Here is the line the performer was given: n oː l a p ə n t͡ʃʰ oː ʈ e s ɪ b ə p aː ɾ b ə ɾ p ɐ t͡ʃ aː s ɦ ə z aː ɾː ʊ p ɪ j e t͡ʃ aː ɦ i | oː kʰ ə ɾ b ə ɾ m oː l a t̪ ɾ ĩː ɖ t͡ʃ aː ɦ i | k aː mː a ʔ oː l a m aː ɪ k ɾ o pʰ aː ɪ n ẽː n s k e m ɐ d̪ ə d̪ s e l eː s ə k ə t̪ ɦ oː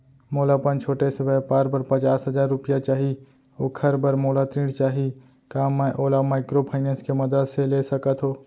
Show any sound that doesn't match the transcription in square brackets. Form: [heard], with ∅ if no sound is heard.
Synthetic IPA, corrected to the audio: [m] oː l a p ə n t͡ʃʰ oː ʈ e s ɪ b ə p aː ɾ b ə ɾ p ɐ t͡ʃ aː s ɦ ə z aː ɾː ʊ p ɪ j [a] t͡ʃ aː ɦ i | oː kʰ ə ɾ b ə ɾ m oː l a t̪ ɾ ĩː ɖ t͡ʃ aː ɦ i | k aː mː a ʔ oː l a m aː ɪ k ɾ o pʰ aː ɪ n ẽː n s k e m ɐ d̪ ə d̪ s e l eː s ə k ə t̪ ɦ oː